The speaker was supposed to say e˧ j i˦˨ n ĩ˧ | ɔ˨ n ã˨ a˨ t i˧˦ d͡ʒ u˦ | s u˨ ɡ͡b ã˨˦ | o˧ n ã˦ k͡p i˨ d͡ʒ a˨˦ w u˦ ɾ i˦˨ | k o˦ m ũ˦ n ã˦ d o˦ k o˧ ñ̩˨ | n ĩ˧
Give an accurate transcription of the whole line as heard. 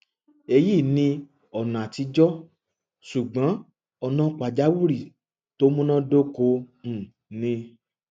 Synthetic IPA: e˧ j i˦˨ n ĩ˧ | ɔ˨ n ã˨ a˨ t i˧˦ d͡ʒ ɔ˦ | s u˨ ɡ͡b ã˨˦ | ɔ˧ n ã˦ k͡p a˨ d͡ʒ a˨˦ w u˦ ɾ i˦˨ | t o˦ m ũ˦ n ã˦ d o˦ k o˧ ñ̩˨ | n ĩ˧